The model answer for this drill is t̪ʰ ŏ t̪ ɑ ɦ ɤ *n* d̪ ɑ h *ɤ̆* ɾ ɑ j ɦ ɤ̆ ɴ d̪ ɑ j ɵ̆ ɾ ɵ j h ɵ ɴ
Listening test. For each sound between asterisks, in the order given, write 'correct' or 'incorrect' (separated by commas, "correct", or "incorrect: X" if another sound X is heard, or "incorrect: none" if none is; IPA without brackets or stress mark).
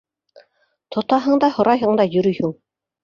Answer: incorrect: ɴ, incorrect: ŏ